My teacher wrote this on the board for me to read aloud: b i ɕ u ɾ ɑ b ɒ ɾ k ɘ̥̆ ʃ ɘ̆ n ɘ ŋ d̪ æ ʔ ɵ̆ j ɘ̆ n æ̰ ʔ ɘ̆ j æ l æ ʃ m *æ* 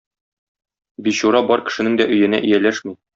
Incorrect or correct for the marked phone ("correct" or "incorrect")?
incorrect